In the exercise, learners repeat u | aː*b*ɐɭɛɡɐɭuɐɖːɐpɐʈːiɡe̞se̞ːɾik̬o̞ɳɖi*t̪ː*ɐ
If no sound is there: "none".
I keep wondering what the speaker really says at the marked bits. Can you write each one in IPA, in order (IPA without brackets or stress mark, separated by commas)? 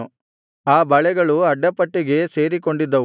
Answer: b, d̪ː